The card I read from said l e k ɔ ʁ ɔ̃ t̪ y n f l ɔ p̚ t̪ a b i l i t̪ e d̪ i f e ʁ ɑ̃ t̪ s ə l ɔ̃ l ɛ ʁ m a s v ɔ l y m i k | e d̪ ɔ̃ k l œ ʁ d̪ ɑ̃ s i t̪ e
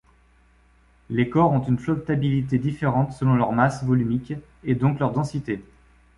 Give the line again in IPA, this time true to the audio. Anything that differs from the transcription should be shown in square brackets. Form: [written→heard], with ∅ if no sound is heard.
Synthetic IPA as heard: l e k ɔ ʁ ɔ̃ t̪ y n f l ɔ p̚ t̪ a b i l i t̪ e d̪ i f e ʁ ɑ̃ t̪ s ə l ɔ̃ l [ɛ→œ] ʁ m a s v ɔ l y m i k | e d̪ ɔ̃ k l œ ʁ d̪ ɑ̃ s i t̪ e